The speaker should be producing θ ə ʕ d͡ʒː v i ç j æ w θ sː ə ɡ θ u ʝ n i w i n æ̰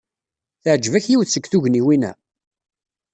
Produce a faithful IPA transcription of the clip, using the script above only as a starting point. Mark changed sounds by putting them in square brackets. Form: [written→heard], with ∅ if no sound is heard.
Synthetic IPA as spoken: θ ə ʕ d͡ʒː v [i→æ] ç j [æ→i] w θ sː ə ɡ θ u ʝ n i w i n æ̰